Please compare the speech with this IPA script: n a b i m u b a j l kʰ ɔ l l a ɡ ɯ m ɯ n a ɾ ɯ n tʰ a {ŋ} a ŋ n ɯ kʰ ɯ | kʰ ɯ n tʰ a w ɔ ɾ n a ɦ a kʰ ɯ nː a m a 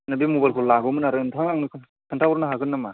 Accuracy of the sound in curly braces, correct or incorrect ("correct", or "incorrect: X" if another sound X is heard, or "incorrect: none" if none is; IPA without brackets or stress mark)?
correct